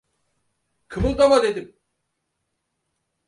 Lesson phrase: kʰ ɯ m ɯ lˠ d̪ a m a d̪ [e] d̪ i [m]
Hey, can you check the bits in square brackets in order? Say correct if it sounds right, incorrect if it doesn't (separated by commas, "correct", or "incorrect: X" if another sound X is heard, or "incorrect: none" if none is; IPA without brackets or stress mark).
correct, correct